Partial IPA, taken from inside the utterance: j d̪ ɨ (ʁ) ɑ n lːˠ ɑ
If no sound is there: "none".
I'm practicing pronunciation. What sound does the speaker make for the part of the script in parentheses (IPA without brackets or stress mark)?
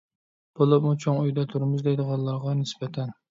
ʁ